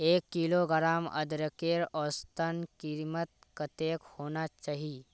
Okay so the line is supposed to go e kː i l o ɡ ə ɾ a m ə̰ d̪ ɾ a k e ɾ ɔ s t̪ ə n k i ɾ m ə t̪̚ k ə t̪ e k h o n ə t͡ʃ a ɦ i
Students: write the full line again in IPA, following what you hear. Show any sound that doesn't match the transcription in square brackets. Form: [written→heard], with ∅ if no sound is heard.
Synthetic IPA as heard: e kː i l o ɡ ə ɾ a m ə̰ d̪ ɾ [a→ə] k e ɾ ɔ s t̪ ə n k i ɾ m ə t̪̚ k ə t̪ e k h o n [ə→a] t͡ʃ a ɦ i

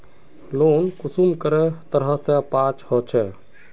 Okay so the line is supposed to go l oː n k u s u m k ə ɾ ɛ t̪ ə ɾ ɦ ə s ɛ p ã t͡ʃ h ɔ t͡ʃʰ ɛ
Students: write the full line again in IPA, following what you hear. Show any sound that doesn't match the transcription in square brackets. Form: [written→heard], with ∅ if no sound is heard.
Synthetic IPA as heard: l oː n k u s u m k ə ɾ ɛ t̪ ə ɾ ɦ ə s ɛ p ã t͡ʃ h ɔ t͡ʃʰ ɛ

